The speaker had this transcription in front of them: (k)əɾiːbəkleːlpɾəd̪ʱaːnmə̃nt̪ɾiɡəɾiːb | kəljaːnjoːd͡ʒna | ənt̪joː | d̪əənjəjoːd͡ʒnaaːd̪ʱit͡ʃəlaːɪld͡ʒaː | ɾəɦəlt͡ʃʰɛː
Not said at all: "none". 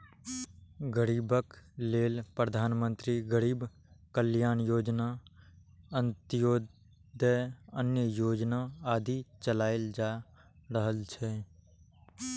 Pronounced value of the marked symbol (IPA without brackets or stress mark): ɡ